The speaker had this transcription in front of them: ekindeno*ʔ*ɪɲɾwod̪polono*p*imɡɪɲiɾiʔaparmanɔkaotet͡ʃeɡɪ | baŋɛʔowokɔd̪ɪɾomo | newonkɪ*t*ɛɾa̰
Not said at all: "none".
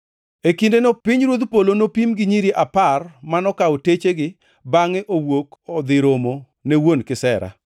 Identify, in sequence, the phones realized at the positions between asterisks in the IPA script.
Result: p, p, s

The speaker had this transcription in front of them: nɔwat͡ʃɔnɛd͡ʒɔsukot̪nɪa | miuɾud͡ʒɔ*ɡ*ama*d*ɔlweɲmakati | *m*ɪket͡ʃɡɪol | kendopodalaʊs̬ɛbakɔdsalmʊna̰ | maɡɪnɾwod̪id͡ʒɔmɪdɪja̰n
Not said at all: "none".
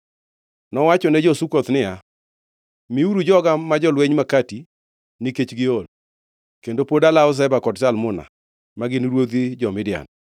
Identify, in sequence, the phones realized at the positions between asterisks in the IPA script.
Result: ɡ, d͡ʒ, n

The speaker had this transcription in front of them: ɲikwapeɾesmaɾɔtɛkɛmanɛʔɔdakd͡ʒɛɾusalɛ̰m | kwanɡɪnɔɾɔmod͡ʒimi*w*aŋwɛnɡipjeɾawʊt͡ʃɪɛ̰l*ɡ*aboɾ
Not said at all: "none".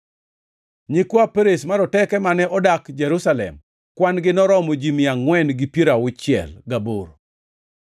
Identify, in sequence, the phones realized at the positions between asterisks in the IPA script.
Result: none, ɡ

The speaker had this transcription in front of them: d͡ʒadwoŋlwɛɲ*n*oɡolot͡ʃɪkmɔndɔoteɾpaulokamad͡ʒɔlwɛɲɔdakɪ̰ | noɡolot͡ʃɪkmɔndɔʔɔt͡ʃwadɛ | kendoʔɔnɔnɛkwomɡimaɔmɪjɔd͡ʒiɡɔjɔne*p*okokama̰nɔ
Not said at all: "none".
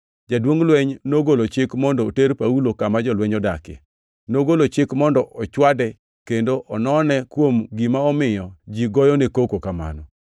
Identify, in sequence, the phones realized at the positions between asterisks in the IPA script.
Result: n, k

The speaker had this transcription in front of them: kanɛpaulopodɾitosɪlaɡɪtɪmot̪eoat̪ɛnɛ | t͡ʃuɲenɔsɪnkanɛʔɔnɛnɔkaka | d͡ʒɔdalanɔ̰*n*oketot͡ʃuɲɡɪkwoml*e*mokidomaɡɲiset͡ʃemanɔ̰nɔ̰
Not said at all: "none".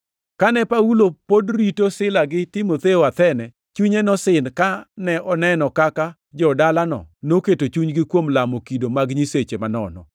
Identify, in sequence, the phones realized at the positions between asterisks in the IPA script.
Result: n, a

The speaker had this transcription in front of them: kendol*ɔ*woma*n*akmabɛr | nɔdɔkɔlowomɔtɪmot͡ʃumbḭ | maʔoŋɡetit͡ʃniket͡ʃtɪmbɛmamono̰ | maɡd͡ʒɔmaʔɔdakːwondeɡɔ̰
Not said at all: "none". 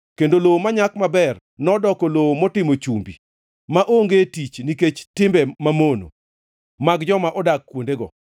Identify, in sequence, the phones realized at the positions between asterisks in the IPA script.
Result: o, ɲ

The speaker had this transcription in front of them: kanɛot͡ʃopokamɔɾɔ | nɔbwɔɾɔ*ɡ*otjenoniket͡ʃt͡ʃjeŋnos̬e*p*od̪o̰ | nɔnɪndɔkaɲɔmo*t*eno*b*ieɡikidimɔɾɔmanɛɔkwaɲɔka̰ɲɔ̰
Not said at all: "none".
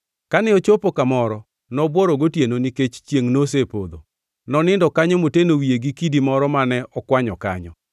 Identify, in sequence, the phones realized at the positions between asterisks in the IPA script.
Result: ɡ, p, t, w

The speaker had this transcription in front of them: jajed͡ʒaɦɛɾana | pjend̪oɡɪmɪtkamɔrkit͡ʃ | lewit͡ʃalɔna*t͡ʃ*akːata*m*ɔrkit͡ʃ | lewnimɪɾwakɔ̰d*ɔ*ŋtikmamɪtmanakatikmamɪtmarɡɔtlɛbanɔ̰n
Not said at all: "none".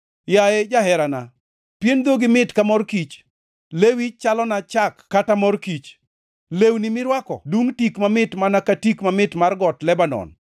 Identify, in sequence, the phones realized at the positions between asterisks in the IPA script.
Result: t͡ʃ, m, u

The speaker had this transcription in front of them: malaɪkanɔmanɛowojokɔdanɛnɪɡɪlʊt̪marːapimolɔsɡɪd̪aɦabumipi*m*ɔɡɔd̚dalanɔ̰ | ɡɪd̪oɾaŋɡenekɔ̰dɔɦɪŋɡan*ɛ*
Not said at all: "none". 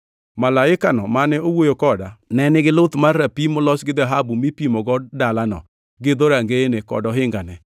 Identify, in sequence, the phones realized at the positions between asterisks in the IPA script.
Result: m, ɛ

